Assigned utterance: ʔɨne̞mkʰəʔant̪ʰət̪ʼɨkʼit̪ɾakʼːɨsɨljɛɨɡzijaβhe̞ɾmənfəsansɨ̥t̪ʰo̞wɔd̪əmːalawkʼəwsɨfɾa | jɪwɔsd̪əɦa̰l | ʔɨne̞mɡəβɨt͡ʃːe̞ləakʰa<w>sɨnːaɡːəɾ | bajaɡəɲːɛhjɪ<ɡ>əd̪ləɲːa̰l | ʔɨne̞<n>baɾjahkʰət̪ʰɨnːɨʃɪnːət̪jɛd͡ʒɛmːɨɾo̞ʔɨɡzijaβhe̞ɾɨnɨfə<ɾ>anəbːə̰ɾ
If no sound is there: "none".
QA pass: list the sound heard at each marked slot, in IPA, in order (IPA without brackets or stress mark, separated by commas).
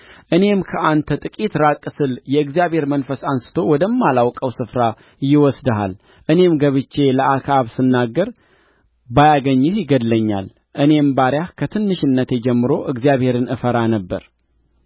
β, ɡ, m, ɾ